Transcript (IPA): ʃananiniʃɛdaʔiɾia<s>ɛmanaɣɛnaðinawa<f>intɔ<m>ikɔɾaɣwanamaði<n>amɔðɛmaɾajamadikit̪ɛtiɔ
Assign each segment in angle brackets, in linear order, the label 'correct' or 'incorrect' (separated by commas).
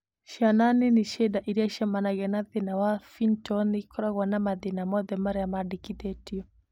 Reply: incorrect, correct, incorrect, correct